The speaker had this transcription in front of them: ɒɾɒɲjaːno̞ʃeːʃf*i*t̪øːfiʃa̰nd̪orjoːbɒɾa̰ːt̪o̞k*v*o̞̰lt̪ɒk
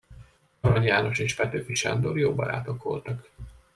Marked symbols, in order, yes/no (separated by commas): no, no